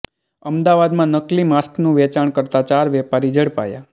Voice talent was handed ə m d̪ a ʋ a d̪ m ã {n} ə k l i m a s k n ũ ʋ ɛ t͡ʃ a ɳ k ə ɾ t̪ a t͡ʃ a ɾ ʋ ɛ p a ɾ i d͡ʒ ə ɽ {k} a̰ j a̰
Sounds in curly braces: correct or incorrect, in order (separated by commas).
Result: correct, incorrect